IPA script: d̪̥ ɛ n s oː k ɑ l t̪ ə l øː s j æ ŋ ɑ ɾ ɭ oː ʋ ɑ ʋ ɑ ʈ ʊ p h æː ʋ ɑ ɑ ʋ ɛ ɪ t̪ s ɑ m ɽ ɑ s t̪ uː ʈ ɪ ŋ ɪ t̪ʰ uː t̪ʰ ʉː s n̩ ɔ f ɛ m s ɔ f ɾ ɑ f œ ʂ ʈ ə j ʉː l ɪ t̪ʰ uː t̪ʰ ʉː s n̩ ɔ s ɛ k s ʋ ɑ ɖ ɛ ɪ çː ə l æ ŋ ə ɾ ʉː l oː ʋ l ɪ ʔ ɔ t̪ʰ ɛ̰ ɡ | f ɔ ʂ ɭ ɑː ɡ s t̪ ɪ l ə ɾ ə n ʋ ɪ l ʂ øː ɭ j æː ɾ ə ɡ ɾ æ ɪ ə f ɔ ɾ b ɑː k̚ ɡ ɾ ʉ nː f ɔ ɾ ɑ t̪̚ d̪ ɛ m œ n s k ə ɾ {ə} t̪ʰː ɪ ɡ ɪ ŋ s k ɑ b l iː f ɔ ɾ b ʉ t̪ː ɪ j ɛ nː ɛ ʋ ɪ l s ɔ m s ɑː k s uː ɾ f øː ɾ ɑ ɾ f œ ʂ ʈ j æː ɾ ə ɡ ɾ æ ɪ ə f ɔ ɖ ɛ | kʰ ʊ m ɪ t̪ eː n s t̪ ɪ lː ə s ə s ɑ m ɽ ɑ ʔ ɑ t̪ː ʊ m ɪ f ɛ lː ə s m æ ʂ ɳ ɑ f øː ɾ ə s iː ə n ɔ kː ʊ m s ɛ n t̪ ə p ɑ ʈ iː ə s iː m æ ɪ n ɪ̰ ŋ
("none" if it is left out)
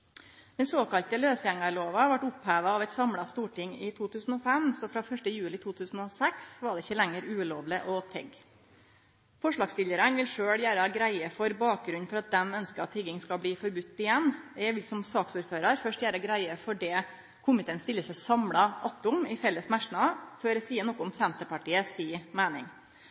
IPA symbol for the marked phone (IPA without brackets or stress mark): ɑ